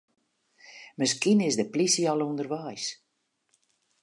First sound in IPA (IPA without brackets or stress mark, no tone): m